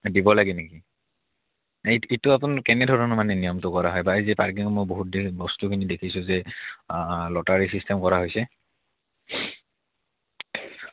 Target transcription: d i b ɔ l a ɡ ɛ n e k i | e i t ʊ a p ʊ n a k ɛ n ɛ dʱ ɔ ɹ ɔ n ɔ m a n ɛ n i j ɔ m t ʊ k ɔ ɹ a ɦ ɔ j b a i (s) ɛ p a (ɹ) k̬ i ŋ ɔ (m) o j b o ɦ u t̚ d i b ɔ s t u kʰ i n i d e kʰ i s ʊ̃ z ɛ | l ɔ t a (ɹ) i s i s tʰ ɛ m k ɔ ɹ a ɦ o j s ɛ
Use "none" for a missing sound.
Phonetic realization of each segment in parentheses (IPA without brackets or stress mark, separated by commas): z, ɹ, m, ɹ